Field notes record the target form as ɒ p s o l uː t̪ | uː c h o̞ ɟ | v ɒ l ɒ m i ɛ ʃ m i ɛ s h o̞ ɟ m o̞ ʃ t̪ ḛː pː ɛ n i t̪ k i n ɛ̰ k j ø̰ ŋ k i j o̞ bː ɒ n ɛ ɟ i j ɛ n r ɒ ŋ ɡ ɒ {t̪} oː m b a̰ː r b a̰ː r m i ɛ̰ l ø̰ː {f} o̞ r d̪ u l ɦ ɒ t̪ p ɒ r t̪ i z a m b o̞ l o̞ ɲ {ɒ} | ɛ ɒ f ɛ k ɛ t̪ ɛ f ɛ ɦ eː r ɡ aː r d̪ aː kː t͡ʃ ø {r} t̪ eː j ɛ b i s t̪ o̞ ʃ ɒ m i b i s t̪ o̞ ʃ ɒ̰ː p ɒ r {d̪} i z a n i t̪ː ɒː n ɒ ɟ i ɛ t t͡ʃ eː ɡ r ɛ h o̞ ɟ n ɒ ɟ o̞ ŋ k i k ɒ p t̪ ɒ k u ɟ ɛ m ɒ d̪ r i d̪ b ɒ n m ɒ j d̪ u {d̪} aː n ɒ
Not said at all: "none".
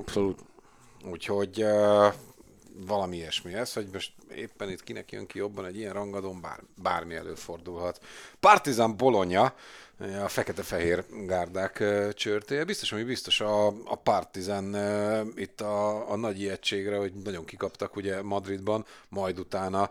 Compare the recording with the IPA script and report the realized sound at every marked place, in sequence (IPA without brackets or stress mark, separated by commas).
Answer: d̪, f, ɒ, r, t̪, t̪